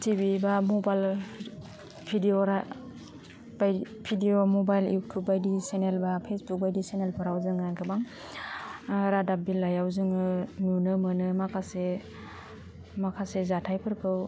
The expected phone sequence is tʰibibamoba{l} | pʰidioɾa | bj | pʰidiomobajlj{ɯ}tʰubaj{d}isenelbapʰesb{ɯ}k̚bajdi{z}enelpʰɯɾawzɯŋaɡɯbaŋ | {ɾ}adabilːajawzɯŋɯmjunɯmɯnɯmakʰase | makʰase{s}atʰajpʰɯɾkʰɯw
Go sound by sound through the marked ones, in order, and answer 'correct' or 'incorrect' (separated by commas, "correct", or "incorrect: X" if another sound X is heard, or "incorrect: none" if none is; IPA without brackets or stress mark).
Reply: correct, incorrect: u, correct, incorrect: u, incorrect: s, correct, incorrect: z